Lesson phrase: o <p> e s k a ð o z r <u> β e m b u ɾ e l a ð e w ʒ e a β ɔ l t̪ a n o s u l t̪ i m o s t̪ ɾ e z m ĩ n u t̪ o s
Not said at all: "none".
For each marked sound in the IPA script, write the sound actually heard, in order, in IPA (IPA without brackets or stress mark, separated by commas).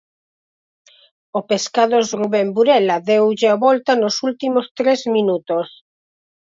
p, u